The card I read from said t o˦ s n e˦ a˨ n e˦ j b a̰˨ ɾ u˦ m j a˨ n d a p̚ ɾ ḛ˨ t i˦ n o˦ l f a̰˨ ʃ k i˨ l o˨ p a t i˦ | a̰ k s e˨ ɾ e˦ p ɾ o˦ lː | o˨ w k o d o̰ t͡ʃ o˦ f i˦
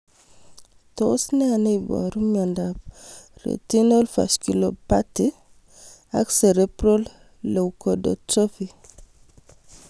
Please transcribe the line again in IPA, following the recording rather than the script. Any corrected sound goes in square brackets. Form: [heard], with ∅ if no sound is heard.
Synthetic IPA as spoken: t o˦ s n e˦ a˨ n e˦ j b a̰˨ ɾ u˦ m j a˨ n d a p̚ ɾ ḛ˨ t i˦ n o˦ l f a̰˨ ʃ k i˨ l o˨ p a t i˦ | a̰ k s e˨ ɾ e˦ p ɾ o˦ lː | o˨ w k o d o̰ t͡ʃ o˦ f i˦